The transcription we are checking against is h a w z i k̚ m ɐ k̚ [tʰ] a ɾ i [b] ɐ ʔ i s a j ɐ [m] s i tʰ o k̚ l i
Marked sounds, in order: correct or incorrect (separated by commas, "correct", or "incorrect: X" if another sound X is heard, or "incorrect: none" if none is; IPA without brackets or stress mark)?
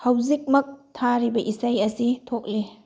correct, correct, incorrect: none